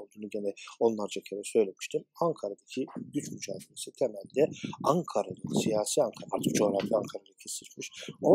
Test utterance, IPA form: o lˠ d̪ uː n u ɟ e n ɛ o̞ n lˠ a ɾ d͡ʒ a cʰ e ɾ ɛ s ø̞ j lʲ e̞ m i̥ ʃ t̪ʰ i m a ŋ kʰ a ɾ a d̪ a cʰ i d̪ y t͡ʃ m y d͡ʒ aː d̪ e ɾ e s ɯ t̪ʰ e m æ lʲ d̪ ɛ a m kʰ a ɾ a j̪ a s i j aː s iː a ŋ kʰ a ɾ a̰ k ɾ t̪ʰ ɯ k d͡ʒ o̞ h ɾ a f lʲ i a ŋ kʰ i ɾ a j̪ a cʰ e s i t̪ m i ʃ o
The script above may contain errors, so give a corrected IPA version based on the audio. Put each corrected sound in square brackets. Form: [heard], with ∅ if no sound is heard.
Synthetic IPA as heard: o lˠ d̪ uː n u ɟ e n ɛ o̞ n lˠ a ɾ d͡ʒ a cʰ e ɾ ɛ s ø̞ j lʲ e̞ m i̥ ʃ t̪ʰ i m a ŋ kʰ a ɾ a d̪ a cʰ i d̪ y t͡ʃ m y d͡ʒ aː d̪ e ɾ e s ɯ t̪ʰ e m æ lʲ d̪ ɛ a [ŋ] kʰ a ɾ a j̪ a s i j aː s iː a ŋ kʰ a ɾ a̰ [∅] ɾ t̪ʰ ɯ k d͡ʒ o̞ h ɾ a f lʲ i a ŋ kʰ [a] ɾ a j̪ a cʰ e s i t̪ m i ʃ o